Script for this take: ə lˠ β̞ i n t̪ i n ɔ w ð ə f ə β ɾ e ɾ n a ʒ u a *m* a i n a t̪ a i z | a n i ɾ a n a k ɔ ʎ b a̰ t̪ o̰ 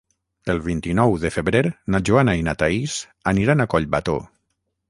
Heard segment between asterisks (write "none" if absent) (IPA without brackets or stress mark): n